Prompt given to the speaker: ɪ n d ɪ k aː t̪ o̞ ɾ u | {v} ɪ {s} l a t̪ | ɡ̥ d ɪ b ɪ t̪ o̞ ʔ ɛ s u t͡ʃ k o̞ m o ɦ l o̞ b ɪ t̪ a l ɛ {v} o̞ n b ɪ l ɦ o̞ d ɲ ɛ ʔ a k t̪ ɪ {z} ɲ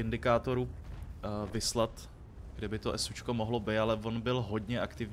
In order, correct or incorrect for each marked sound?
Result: correct, correct, correct, incorrect: v

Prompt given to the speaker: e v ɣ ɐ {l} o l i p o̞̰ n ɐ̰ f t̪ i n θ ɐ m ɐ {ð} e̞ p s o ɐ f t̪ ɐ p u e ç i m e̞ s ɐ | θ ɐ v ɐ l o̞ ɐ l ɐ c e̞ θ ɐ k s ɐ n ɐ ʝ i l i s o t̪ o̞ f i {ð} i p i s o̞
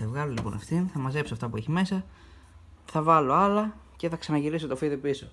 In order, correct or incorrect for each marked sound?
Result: correct, incorrect: z, correct

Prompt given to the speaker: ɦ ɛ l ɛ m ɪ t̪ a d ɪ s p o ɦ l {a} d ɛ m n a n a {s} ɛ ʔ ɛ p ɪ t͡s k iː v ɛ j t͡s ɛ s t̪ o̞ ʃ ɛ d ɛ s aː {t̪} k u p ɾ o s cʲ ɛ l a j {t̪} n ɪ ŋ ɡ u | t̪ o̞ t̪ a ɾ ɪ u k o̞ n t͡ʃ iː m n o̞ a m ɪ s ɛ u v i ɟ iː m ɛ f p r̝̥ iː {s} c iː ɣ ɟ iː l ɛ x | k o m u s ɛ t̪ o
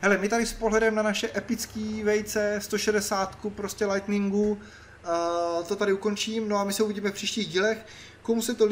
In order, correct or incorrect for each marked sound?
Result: incorrect: ɛ, incorrect: ʃ, correct, correct, incorrect: ʃ

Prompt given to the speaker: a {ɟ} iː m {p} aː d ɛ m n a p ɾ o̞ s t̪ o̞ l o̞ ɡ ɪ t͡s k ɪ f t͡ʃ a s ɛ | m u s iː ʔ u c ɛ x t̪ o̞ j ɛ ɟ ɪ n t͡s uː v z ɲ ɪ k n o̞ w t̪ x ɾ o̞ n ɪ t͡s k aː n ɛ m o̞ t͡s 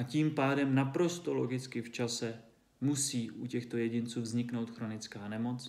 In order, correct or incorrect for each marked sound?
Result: incorrect: c, correct

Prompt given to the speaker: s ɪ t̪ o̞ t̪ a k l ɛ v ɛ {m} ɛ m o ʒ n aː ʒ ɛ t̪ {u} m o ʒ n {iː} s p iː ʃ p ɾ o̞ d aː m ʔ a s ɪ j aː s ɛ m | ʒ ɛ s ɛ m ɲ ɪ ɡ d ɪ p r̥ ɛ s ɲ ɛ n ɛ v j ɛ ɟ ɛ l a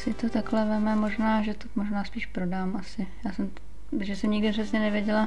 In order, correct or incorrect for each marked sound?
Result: correct, incorrect: o, incorrect: aː

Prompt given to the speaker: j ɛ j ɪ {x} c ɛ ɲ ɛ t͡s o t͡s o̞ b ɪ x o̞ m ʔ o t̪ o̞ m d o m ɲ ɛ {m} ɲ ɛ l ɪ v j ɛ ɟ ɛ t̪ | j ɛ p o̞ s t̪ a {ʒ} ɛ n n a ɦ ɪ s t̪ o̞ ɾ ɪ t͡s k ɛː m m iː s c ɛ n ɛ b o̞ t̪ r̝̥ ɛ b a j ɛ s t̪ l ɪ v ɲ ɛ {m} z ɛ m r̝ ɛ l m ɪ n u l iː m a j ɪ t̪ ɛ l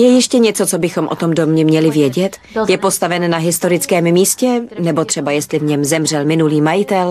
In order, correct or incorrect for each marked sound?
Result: incorrect: ʃ, correct, incorrect: v, correct

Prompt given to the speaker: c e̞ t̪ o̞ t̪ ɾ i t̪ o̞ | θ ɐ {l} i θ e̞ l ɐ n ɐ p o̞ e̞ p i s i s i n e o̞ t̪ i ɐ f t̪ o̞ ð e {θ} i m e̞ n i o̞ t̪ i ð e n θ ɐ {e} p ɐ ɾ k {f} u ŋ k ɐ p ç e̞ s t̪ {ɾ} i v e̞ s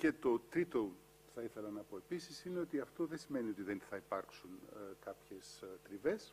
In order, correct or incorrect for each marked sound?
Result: incorrect: none, incorrect: s, incorrect: i, incorrect: s, correct

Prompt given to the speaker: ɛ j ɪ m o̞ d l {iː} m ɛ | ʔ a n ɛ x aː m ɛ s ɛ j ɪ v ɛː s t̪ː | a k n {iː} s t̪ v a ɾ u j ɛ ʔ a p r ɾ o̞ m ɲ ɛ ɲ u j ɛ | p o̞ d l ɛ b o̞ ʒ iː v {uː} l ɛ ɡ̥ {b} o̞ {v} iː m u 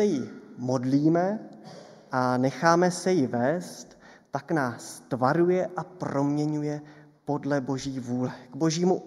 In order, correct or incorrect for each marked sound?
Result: correct, incorrect: aː, correct, correct, incorrect: ʒ

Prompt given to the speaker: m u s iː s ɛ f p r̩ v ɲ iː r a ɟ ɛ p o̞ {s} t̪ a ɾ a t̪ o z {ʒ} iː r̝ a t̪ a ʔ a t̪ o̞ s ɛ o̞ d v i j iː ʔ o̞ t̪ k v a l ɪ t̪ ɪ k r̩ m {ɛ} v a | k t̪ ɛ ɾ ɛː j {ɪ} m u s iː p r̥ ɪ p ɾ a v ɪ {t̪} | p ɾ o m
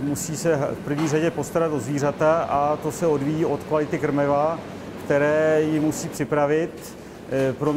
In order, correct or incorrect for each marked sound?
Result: correct, incorrect: v, correct, correct, correct

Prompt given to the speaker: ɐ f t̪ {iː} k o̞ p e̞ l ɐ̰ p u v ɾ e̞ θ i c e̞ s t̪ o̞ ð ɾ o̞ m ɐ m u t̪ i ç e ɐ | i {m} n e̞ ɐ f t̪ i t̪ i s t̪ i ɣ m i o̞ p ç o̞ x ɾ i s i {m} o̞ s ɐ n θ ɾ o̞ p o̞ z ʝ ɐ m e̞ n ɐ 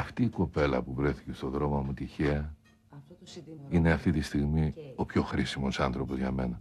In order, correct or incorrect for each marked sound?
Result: correct, incorrect: none, correct

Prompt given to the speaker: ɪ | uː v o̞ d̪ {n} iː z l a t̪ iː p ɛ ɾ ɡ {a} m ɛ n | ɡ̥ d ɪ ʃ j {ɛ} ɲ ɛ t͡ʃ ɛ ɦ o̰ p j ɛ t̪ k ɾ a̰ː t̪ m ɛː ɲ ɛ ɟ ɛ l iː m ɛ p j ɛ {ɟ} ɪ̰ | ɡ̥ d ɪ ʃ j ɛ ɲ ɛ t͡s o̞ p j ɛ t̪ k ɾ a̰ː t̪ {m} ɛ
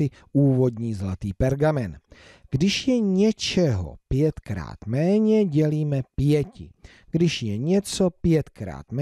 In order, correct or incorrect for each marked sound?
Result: incorrect: ɲ, correct, correct, incorrect: c, correct

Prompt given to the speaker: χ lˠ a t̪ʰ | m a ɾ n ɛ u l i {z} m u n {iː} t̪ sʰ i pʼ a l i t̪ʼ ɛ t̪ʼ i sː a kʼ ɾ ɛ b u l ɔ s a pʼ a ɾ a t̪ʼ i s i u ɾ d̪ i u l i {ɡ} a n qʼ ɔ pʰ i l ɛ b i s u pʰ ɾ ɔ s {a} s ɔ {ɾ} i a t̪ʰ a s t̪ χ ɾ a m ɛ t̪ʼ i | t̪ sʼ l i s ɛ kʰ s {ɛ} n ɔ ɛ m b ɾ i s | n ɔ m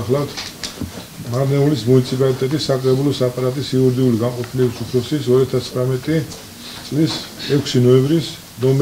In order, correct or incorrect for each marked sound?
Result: incorrect: s, incorrect: i, correct, incorrect: i, correct, incorrect: i

